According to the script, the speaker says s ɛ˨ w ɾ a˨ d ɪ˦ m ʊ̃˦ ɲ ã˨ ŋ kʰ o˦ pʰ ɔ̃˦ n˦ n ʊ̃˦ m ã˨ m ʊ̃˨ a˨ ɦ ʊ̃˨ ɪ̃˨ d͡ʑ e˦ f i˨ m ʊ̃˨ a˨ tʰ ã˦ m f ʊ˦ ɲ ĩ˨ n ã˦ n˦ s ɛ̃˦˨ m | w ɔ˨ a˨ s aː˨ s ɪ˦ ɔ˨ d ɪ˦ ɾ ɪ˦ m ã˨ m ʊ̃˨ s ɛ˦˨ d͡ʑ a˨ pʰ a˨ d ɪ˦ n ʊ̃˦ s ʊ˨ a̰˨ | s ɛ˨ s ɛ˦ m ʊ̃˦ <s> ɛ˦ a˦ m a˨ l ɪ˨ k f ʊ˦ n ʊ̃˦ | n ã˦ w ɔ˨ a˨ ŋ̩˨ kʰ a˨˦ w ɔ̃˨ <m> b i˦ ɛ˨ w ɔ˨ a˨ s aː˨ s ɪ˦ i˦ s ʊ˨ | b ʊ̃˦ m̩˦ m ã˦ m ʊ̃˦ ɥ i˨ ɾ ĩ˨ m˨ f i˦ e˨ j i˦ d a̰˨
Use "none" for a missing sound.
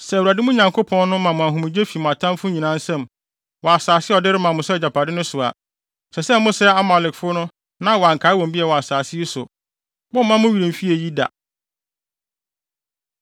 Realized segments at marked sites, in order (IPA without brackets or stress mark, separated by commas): s, m